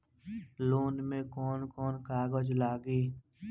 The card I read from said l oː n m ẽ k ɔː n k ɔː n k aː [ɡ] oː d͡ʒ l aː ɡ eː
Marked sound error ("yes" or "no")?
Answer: no